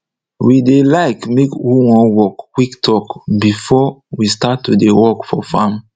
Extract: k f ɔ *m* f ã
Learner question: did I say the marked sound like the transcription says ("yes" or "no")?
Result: no